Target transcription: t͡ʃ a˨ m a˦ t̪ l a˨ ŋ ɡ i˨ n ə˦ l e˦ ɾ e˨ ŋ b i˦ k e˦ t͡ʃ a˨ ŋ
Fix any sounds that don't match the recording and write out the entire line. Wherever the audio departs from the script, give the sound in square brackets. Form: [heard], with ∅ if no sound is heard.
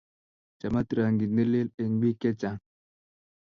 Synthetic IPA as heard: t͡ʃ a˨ m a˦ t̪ [ɾ] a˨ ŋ ɡ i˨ n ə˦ l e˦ [l] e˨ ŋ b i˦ k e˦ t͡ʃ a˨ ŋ